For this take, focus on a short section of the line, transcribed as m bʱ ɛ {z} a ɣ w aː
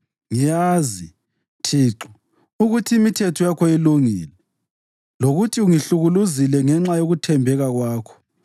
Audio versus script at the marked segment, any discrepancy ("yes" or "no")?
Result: yes